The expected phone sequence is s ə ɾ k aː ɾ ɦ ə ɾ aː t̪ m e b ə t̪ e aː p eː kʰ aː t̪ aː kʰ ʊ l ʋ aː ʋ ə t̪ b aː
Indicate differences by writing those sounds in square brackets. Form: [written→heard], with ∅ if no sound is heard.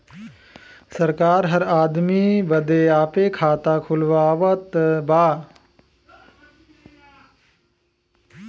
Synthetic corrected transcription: s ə ɾ k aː ɾ ɦ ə ɾ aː [t̪→d̪] m [e→i] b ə [t̪→d̪] e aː p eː kʰ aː t̪ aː kʰ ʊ l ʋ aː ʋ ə t̪ b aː